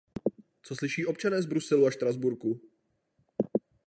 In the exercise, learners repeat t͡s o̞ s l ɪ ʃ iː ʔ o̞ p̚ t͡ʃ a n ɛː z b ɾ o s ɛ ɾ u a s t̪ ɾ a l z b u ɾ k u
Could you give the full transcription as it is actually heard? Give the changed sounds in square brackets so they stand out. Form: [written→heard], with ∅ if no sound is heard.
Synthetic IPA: t͡s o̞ s l ɪ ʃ iː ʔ o̞ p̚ t͡ʃ a n ɛː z b ɾ [o→u] s ɛ [ɾ→l] u a [s→ʃ] t̪ ɾ a [l→∅] z b u ɾ k u